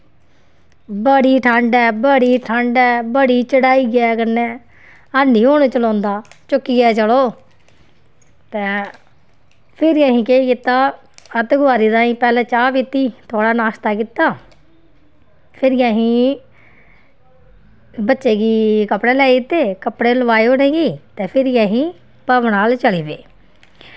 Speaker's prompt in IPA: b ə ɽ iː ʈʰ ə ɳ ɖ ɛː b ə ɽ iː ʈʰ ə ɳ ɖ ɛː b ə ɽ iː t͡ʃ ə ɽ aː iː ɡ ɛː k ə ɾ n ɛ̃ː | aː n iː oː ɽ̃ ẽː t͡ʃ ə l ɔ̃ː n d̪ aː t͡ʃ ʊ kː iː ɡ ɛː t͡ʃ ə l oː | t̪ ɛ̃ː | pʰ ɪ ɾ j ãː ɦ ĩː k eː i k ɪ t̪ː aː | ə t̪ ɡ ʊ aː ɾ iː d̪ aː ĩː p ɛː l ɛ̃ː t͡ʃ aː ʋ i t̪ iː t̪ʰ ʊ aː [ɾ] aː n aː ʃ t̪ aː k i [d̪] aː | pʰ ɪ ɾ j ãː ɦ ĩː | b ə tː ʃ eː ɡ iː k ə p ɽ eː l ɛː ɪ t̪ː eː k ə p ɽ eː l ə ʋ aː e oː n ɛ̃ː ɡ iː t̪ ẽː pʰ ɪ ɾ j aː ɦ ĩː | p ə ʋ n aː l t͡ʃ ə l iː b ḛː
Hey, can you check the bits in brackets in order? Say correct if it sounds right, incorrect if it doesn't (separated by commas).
incorrect, incorrect